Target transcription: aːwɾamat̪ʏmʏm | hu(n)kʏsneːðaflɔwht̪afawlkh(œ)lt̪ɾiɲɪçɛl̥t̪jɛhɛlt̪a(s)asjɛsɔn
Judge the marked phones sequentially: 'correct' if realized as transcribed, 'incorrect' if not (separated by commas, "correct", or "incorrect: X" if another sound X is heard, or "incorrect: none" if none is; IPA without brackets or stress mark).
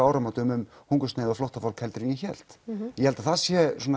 incorrect: ŋ, incorrect: ɛ, incorrect: θ